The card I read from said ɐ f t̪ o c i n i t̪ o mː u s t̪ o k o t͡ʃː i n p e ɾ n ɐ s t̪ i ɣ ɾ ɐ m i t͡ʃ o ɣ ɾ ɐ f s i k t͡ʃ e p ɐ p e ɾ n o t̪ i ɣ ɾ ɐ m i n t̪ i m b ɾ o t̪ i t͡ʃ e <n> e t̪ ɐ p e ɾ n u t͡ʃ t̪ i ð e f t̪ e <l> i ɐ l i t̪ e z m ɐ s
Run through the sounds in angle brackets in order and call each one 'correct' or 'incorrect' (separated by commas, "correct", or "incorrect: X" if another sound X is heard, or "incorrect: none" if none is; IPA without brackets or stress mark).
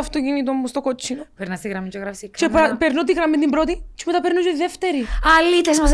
incorrect: m, incorrect: ɾ